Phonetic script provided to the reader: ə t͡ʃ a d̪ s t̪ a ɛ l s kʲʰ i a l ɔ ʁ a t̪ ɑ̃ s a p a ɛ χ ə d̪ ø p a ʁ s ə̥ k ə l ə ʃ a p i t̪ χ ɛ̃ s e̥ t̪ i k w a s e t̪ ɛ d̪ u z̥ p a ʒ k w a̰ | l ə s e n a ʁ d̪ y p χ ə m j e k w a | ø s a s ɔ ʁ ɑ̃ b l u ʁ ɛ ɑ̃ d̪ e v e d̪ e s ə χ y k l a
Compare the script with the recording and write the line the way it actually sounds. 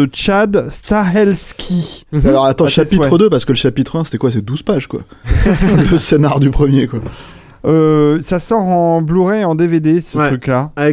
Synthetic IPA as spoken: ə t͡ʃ a d̪ s t̪ a ɛ l s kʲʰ i a l ɔ ʁ a t̪ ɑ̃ ʃ a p i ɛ χ ə d̪ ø p a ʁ s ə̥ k ə l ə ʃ a p i t̪ χ ɛ̃ s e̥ t̪ ɛ k w a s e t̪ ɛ d̪ u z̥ p a ʒ k w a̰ | l ə s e n a ʁ d̪ y p χ ə m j e k w a | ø s a s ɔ ʁ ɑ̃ b l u ʁ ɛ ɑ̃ d̪ e v e d̪ e s ə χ y k l a